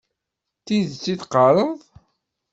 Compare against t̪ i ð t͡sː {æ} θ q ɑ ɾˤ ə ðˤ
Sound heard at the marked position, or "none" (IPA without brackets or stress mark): i